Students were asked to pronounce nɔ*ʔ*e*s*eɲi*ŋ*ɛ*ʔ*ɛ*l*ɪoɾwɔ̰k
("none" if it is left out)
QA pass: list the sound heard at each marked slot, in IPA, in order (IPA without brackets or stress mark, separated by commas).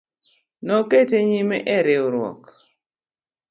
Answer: k, t, m, ʔ, ɾ